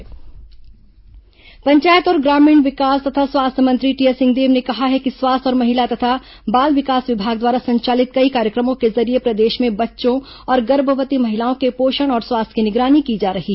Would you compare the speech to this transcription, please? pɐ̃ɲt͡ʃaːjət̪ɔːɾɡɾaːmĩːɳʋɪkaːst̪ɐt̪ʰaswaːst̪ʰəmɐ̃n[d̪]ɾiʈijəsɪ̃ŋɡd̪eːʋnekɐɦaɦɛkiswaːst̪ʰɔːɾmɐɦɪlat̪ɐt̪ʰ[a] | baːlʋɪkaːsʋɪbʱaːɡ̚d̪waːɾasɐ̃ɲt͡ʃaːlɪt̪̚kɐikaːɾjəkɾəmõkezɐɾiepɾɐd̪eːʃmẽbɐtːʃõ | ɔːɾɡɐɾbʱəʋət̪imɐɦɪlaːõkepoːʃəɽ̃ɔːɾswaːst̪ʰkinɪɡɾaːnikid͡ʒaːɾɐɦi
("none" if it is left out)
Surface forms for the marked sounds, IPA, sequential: t̪, a

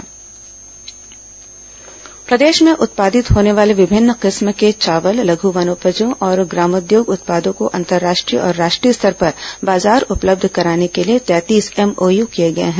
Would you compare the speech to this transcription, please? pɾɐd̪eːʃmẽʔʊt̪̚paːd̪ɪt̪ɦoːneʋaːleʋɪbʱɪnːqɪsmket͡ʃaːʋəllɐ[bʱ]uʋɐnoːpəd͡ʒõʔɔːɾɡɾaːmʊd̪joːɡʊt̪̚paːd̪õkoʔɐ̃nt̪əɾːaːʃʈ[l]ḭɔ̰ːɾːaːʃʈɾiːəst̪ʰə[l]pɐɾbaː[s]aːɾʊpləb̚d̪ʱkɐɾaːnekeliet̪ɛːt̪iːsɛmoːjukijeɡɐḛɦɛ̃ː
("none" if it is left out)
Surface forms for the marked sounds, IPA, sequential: ɡʱ, ɾ, ɾ, z

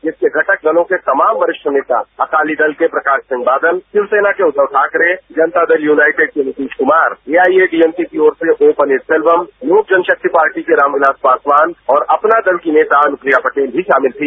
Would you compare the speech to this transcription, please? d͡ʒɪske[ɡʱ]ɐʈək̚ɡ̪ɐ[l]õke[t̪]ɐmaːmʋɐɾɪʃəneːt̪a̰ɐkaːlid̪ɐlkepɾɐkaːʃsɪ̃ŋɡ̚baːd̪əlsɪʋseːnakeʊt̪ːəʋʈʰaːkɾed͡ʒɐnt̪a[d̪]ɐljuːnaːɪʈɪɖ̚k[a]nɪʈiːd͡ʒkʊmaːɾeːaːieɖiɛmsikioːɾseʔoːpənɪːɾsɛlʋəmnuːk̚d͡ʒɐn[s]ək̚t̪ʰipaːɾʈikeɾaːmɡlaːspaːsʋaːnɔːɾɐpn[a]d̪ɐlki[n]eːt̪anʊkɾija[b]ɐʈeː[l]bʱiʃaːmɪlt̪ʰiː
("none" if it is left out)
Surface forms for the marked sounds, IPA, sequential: ɡʱ, l, t̪, d̪, e, ʃ, a, n, p, l

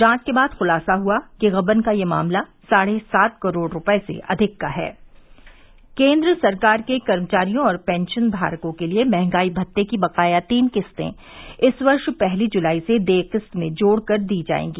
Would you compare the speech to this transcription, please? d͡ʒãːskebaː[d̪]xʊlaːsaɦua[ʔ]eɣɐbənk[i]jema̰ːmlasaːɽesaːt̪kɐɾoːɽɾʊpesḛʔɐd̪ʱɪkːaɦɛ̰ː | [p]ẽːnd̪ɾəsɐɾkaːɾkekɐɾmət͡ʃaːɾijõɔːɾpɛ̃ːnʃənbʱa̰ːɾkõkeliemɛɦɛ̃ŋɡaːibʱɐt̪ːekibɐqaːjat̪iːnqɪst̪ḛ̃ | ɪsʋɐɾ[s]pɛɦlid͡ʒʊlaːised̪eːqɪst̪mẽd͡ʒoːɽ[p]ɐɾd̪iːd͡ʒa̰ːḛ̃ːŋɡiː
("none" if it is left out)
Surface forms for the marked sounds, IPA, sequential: d̪, k, a, k, ʃ, k

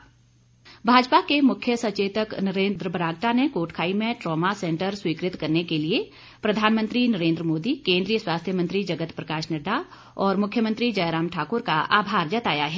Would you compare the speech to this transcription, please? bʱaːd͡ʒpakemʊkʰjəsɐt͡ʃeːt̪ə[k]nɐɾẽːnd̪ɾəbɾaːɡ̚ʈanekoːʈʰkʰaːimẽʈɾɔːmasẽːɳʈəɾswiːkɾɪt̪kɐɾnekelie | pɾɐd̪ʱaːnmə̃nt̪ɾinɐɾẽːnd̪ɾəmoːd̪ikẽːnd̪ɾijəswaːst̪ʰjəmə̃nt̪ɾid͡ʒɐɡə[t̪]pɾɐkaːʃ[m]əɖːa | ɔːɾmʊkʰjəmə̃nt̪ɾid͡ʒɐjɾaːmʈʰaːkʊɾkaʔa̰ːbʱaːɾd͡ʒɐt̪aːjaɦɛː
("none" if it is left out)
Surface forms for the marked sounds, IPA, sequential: k, t̪, n

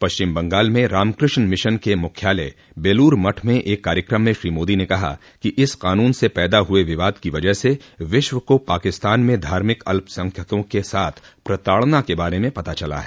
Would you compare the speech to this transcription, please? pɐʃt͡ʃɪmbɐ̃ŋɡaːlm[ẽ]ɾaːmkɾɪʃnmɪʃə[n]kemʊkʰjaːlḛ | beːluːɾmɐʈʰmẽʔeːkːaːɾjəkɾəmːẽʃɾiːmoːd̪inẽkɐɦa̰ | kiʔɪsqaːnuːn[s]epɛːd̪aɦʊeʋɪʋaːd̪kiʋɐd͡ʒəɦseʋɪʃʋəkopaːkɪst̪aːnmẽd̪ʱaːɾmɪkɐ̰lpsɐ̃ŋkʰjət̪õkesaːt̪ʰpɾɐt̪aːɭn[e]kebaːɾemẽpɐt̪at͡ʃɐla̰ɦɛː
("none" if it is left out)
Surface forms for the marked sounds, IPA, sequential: ẽ, n, s, a

